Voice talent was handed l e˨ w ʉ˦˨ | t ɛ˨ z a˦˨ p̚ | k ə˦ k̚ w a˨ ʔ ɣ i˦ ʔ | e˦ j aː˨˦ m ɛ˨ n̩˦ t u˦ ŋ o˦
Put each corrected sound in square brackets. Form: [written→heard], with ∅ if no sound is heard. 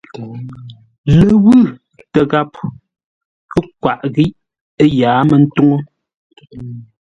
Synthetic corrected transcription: l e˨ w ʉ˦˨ | t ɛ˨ [z→ɣ] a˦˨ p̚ | k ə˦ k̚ w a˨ ʔ ɣ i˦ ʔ | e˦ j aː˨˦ m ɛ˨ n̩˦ t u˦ ŋ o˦